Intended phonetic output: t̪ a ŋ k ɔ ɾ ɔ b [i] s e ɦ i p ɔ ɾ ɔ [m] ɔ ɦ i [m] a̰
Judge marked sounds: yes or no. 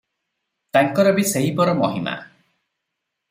yes, yes, yes

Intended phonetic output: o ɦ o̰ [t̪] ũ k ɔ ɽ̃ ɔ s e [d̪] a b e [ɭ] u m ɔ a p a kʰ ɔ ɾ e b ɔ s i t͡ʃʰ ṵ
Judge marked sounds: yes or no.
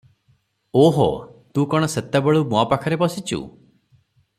yes, no, yes

